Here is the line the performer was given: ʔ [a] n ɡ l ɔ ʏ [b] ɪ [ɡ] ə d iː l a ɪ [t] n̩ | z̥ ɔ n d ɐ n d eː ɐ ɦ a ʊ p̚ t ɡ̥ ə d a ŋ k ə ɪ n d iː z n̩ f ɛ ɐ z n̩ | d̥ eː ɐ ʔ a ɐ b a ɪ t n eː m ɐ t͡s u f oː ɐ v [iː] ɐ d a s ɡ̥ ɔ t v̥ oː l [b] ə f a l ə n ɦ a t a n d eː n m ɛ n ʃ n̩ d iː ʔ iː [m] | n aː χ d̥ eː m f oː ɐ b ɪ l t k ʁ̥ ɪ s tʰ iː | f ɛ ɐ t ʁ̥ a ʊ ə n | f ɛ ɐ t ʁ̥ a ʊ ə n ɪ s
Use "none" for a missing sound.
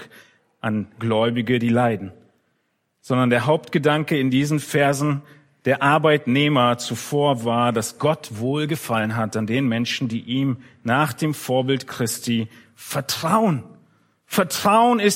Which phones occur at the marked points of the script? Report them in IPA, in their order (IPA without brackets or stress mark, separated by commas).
a, b, ɡ, d, aː, ɡ, m